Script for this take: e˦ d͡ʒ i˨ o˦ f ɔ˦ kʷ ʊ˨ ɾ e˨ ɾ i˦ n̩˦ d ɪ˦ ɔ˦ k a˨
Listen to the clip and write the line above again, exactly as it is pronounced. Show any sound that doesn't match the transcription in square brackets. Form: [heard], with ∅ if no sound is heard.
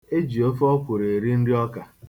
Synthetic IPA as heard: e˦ d͡ʒ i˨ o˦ f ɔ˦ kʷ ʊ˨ ɾ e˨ ɾ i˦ n̩˦ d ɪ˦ ɔ˦ k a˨